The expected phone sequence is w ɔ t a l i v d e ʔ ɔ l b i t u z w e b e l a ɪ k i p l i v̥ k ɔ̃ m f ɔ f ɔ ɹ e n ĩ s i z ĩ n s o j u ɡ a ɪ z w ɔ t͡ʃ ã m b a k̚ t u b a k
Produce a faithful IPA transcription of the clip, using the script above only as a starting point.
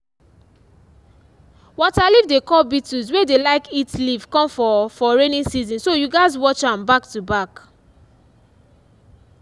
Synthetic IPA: w ɔ t a l i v d e k ɔ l b i t u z w e d e l a ɪ k i t l i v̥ k ɔ̃ m f ɔ f ɔ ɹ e n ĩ s i z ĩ n s o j u ɡ a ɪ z w ɔ t͡ʃ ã m b a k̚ t u b a k